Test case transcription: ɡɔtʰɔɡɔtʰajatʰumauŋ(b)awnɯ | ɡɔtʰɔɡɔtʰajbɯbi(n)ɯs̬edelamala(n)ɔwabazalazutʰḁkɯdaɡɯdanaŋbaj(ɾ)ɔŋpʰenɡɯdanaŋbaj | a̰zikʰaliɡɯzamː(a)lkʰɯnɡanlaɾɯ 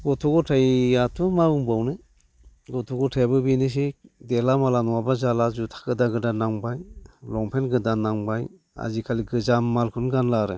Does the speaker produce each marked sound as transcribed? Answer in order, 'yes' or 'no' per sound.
yes, yes, yes, no, yes

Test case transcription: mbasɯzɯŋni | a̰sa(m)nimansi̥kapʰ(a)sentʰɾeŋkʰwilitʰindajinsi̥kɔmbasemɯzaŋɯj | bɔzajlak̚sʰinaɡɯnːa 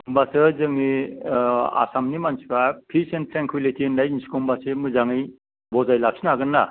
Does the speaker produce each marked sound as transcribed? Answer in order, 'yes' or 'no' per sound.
yes, no

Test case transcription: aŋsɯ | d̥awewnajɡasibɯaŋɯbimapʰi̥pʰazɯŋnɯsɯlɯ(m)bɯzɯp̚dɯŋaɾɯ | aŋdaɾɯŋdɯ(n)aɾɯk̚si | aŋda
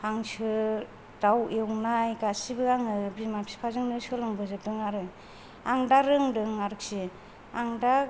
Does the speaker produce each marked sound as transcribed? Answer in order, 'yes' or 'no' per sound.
no, no

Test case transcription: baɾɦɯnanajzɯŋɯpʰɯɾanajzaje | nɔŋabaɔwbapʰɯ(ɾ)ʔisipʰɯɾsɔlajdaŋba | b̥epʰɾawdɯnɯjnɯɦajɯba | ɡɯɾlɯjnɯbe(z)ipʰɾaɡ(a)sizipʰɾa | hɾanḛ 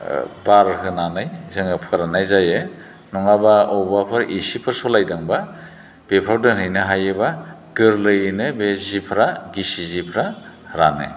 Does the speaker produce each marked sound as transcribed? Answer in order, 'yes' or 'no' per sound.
yes, yes, no

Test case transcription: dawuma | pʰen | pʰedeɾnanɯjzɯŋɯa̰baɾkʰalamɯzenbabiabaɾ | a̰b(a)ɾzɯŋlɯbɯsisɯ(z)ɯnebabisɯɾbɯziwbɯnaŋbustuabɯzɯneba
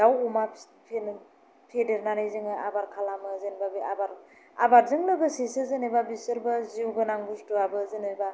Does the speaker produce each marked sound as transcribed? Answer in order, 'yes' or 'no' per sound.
yes, yes

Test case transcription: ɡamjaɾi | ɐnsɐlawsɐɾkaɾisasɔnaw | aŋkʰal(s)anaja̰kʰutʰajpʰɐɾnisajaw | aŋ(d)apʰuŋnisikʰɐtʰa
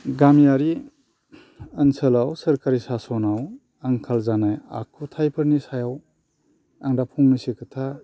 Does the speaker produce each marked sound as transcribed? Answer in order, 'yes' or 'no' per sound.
no, yes

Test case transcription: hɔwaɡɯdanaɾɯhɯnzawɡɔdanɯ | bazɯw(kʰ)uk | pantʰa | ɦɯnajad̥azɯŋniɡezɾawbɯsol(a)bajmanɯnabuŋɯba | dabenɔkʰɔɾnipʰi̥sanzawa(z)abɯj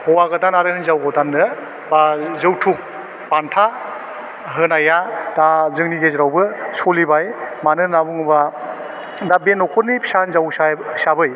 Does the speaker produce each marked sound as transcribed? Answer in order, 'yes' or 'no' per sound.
no, no, no

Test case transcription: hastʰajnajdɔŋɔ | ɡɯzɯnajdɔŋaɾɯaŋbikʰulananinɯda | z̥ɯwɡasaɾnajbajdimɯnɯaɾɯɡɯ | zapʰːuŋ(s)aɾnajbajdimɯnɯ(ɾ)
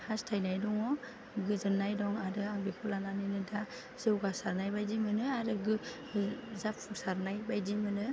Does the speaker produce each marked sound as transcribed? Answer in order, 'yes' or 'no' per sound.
yes, no

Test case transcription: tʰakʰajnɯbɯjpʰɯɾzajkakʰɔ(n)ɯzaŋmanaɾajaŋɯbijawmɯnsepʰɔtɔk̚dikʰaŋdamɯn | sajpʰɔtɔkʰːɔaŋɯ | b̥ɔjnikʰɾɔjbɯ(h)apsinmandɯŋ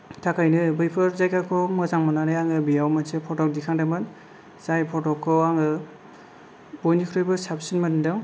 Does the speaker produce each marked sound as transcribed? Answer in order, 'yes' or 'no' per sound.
no, no

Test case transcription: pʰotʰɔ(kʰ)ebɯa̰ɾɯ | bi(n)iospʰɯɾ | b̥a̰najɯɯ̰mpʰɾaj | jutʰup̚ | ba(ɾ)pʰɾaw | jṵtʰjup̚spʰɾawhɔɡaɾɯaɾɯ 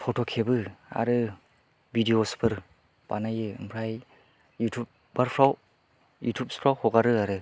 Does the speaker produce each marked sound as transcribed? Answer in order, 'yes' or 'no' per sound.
yes, no, yes

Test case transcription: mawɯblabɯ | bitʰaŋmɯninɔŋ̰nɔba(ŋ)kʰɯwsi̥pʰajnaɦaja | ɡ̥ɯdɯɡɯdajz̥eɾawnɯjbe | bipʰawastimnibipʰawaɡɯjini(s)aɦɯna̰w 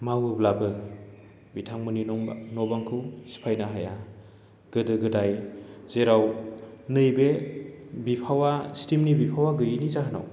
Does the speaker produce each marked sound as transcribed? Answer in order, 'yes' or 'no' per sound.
yes, no

